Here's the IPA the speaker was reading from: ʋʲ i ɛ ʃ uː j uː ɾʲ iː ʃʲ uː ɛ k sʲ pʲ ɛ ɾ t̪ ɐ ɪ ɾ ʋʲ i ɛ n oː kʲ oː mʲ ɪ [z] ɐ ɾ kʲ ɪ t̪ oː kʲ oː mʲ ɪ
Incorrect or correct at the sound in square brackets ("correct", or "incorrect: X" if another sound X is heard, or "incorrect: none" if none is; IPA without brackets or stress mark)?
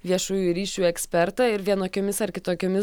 incorrect: s